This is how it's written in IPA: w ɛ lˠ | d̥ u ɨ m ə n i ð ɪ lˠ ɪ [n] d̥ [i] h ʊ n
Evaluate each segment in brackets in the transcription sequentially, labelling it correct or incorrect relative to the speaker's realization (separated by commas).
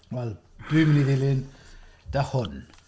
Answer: correct, incorrect